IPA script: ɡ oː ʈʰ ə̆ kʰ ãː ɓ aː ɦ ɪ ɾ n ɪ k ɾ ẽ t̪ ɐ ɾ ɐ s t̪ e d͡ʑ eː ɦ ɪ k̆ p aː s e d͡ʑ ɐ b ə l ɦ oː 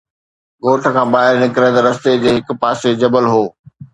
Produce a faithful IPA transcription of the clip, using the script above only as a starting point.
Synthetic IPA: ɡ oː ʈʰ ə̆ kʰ ãː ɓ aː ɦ ɪ ɾ n ɪ k ɾ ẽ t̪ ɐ ɾ ɐ s t̪ e d͡ʑ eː ɦ ɪ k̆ p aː s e d͡ʑ ɐ b ə l ɦ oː